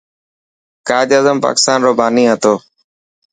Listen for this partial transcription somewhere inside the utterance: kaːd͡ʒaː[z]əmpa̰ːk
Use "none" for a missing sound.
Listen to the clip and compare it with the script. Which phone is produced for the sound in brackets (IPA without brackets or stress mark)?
z